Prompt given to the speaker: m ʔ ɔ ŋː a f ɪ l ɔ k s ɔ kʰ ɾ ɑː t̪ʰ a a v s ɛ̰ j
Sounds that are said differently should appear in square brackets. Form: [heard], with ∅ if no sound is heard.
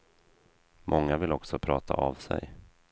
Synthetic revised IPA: m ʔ ɔ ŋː a [v] ɪ l ɔ k s ɔ [pʰ] ɾ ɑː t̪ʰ a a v s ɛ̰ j